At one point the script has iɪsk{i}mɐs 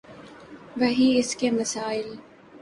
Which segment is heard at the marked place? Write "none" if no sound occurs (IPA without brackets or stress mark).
e